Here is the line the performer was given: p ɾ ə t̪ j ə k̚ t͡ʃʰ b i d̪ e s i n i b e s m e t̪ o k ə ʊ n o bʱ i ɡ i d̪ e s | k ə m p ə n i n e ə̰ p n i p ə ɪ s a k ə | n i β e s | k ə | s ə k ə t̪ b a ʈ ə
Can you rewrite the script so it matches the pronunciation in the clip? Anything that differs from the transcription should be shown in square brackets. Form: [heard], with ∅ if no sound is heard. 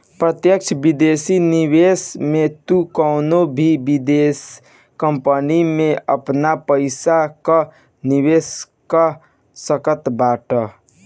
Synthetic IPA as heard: p ɾ ə t̪ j ə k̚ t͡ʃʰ b i d̪ e s i n i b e s m e t̪ [u] k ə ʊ n o bʱ i [b] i d̪ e s | k ə m p ə n i [m] e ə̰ p n [a] p ə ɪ s a k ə | n i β e s | k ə | s ə k ə t̪ b a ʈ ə